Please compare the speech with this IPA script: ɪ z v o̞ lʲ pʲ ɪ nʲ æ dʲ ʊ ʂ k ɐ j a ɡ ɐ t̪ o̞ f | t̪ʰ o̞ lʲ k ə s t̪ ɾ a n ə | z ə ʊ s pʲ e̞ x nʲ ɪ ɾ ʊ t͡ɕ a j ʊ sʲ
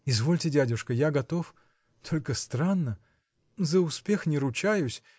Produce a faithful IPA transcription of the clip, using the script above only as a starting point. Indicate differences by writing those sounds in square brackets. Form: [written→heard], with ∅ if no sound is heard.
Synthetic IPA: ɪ z v o̞ lʲ [pʲ→tʲ] ɪ [nʲ→dʲ] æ dʲ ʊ ʂ k [ɐ→ə] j a ɡ ɐ t̪ o̞ f | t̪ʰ o̞ lʲ k ə s t̪ ɾ a [n→nː] ə | z ə ʊ s pʲ e̞ x nʲ ɪ ɾ ʊ t͡ɕ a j ʊ sʲ